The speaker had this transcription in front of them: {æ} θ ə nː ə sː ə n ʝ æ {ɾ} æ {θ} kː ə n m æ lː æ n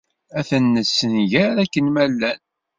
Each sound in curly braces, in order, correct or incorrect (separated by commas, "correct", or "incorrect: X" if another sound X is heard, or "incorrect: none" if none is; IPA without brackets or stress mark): correct, correct, incorrect: none